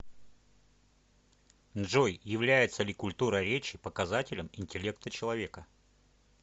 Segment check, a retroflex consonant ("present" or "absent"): present